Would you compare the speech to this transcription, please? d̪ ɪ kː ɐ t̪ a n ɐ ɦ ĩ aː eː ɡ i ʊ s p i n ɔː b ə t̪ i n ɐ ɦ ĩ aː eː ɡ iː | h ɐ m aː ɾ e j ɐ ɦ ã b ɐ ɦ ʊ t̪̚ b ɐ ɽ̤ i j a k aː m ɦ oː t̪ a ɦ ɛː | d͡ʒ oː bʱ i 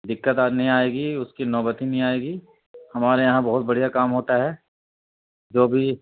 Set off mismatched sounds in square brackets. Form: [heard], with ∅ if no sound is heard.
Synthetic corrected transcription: d̪ ɪ kː [ə] t̪ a n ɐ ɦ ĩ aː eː ɡ i ʊ s [k] i n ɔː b ə t̪ i n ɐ ɦ ĩ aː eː ɡ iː | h ɐ m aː ɾ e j ɐ ɦ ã b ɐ ɦ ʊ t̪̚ b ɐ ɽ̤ i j a k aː m ɦ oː t̪ a ɦ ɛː | d͡ʒ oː bʱ i